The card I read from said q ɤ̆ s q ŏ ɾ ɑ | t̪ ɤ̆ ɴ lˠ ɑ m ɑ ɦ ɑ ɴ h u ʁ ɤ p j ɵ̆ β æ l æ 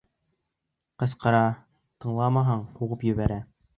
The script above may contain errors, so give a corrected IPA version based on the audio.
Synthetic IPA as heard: q ɤ̆ s q ɤ̆ ɾ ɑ | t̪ ɤ̆ ɴ lˠ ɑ m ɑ ɦ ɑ ɴ h u ʁ ɤ p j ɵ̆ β æ ɾ æ